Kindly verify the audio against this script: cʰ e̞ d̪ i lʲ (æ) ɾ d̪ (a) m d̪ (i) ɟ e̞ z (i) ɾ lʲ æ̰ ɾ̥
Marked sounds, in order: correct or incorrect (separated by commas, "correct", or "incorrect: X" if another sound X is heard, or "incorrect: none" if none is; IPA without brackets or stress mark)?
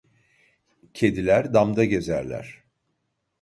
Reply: correct, correct, incorrect: a, incorrect: æ